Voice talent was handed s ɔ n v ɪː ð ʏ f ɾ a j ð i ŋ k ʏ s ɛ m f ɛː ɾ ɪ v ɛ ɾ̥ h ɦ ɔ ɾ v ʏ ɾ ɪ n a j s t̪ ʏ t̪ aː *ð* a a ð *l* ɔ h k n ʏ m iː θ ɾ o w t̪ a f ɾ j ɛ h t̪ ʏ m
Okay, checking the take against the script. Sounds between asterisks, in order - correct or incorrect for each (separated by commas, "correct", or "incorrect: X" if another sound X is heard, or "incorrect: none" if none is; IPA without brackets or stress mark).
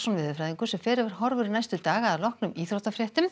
incorrect: ɣ, correct